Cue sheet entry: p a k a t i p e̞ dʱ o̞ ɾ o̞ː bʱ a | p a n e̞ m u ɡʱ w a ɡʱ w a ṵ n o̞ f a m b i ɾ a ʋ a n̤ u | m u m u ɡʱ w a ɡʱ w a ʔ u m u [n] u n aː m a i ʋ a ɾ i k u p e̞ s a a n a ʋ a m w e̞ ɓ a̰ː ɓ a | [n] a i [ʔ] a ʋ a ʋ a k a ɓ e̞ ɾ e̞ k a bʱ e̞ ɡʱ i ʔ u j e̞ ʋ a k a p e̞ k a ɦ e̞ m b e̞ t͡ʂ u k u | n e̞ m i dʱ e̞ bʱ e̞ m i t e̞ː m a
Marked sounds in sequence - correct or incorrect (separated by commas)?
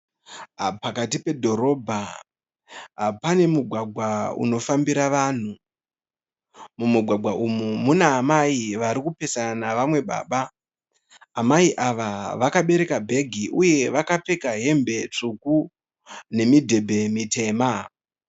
incorrect, incorrect, correct